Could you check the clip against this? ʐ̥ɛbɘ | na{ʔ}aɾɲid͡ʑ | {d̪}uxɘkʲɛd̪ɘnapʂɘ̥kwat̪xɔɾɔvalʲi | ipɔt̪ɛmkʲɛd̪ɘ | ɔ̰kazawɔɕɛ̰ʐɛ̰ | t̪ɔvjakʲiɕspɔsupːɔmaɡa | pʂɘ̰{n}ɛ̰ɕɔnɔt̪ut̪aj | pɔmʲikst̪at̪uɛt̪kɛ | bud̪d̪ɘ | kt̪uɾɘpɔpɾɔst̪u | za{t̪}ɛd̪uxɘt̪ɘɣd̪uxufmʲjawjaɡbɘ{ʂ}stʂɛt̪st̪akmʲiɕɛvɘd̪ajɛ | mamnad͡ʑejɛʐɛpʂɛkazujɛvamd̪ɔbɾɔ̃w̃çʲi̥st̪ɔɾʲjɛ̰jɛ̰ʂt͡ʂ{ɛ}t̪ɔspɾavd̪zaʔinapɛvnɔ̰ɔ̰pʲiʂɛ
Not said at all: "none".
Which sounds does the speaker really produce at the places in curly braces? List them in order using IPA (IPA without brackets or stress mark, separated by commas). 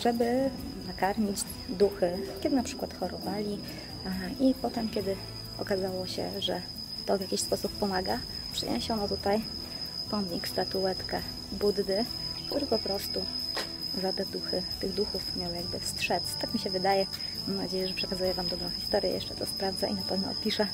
k, d̪, ɲ, t̪, f, ɛ